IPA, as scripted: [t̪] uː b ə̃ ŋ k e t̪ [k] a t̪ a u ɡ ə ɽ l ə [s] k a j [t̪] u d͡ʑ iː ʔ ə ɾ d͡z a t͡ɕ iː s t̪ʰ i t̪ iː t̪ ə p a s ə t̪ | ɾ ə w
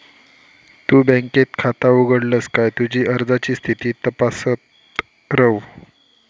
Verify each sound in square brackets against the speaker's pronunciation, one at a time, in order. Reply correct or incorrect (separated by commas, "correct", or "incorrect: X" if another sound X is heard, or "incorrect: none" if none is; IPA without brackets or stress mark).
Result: correct, incorrect: kʰ, correct, correct